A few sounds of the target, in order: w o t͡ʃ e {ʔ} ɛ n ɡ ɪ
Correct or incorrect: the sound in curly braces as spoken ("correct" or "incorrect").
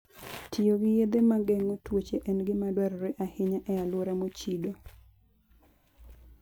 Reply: correct